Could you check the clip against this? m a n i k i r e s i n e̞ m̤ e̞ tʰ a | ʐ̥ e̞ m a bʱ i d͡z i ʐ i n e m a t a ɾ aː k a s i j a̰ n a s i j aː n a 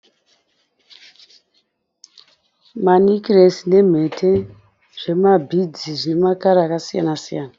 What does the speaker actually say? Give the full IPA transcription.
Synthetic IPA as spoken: m a n i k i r e s i n e̞ m̤ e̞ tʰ e | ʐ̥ e̞ m a bʱ i d͡z i ʐ i n e m a k a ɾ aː k a s i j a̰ n a s i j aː n a